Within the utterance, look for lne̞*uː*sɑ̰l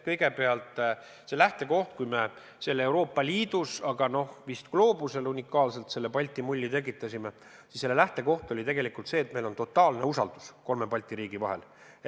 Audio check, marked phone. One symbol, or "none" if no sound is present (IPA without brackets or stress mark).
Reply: u